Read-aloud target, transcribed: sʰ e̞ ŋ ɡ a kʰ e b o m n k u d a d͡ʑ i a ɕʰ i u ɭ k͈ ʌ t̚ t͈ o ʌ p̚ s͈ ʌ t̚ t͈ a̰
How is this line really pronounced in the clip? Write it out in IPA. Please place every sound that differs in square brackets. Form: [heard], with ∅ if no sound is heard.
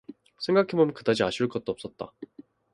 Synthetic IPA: sʰ e̞ ŋ ɡ a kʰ e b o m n k [ɯ] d a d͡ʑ i a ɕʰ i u ɭ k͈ ʌ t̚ t͈ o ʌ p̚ s͈ ʌ t̚ t͈ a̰